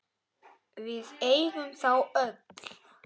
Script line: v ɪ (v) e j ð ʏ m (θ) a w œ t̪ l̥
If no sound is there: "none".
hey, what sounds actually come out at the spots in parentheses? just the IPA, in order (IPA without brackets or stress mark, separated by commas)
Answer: ð, θ